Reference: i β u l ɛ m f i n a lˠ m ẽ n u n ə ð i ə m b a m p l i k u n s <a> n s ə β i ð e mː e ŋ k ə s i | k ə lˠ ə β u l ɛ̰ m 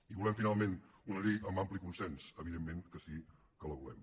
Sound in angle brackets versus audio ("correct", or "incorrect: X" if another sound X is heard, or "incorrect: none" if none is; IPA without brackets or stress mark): incorrect: ɛ